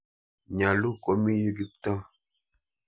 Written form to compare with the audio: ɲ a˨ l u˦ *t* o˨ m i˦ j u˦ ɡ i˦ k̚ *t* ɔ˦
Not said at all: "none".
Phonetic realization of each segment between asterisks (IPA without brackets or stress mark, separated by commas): k, t